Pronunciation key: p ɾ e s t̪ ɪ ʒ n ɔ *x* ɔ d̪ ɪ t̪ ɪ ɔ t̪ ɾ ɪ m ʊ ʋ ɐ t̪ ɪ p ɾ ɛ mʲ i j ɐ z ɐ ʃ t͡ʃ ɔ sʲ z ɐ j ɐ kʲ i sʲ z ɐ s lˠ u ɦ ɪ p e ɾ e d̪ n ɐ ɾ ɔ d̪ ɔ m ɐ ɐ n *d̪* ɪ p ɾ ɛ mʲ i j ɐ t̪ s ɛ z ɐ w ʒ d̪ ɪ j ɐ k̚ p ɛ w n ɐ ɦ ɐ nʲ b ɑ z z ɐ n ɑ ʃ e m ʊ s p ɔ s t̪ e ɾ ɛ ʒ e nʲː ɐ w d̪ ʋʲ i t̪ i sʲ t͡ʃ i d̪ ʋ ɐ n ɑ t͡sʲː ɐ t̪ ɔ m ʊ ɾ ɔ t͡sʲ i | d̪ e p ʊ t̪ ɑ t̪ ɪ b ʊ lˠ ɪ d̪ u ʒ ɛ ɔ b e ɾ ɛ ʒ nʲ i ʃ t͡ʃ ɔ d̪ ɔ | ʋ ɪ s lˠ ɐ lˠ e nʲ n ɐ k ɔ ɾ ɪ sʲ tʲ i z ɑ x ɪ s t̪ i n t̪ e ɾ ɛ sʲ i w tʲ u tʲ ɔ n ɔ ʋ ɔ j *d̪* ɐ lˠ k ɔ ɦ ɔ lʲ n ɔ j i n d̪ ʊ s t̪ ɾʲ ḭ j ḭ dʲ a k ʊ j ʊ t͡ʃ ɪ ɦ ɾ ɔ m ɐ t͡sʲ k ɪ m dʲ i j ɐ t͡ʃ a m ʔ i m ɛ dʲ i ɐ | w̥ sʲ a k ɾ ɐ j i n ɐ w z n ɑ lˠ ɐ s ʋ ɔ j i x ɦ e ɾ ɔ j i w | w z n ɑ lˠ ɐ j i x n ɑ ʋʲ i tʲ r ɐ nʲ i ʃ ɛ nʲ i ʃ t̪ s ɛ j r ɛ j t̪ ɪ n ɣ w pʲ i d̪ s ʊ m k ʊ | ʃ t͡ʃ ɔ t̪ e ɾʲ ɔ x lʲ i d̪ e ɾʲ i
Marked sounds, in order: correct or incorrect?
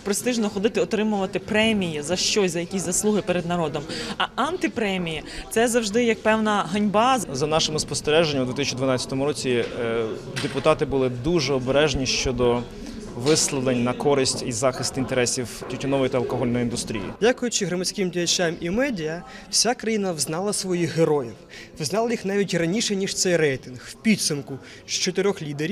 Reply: correct, incorrect: t̪, incorrect: t̪

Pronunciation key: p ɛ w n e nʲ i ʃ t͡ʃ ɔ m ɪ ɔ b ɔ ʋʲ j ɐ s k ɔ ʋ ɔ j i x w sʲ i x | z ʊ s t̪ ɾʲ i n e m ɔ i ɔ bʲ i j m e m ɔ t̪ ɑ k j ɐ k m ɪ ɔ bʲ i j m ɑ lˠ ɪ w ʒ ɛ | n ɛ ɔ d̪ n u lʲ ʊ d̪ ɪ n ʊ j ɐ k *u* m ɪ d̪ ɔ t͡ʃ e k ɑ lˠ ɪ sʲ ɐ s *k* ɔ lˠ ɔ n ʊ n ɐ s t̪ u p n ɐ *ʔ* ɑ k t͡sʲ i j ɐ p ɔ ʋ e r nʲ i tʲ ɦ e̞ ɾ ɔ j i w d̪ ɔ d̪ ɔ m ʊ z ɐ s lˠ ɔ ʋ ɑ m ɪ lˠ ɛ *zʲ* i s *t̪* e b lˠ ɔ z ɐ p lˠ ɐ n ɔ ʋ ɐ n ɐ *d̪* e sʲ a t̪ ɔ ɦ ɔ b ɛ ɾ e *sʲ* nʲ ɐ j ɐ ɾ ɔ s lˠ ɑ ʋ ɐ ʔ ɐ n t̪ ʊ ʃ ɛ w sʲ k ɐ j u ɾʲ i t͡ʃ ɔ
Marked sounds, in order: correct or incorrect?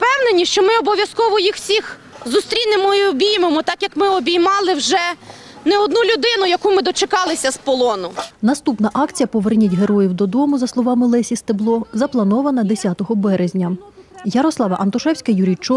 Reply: correct, incorrect: p, correct, incorrect: sʲ, correct, correct, incorrect: zʲ

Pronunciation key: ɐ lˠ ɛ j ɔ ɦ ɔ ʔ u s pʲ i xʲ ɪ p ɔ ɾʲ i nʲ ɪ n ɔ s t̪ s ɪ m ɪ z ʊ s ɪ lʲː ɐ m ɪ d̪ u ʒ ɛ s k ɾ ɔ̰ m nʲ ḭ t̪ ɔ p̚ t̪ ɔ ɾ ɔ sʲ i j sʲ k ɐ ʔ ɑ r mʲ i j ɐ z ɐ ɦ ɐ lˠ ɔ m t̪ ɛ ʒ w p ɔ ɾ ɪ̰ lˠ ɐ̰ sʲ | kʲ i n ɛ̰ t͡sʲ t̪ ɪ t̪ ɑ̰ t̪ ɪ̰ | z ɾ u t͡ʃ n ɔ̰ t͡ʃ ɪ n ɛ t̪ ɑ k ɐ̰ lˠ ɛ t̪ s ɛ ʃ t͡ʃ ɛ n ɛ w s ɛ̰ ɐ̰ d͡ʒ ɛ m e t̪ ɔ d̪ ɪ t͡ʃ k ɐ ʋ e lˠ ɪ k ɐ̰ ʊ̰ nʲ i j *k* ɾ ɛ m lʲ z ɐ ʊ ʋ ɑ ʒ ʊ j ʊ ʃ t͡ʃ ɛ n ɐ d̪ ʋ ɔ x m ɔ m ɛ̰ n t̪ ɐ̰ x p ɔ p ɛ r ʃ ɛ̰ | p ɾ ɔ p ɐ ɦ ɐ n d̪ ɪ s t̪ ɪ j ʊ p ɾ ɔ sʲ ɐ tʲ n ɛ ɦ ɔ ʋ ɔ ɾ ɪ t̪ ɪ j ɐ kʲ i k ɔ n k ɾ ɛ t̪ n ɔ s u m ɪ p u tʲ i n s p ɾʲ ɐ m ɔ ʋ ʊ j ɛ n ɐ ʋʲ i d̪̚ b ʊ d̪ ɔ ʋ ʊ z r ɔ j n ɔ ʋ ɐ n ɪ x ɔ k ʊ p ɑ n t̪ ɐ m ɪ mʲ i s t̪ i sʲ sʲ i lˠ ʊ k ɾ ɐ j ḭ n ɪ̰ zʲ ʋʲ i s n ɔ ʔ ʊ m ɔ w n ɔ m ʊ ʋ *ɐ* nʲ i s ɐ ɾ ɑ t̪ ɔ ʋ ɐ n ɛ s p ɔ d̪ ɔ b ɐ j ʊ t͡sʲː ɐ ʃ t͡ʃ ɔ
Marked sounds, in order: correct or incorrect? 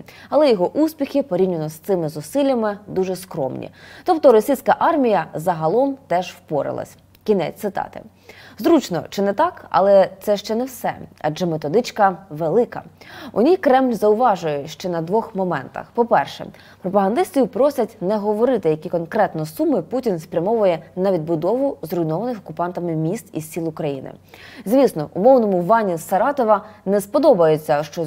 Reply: correct, incorrect: ɑ

